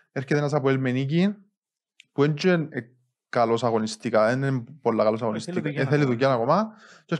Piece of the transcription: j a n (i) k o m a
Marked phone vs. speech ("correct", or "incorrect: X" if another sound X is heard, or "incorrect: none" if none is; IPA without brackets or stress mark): incorrect: a